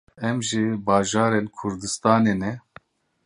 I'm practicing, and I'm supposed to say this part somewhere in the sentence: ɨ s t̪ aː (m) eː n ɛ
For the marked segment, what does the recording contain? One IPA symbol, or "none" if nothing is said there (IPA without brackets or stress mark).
n